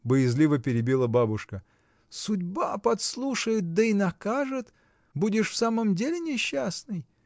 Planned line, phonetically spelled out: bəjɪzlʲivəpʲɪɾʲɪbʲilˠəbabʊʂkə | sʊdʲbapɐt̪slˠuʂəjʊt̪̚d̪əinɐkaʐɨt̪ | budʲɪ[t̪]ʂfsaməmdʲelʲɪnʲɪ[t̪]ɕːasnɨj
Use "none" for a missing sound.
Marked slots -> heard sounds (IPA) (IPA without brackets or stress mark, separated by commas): none, none